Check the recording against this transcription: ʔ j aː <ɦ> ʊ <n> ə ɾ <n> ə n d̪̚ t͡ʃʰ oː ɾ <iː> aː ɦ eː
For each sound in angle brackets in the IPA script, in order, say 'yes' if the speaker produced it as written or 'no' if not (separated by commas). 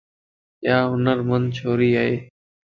yes, yes, no, yes